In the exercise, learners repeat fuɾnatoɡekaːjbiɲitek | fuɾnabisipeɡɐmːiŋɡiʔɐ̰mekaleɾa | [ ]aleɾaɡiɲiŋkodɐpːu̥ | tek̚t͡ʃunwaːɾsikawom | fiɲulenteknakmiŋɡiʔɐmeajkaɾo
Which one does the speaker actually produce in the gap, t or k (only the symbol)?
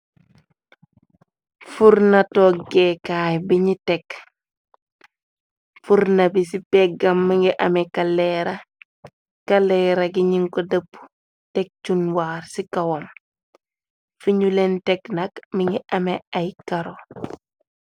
k